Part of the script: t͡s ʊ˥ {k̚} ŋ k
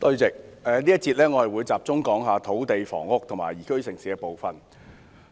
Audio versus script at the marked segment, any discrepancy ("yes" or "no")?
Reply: yes